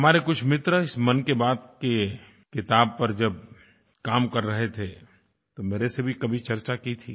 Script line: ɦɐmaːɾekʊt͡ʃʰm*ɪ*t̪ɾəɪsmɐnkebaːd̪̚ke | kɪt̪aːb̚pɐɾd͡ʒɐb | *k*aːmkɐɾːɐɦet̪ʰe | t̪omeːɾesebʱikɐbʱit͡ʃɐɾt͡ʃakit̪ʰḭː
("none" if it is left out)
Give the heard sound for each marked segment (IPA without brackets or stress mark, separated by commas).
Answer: ɪ, k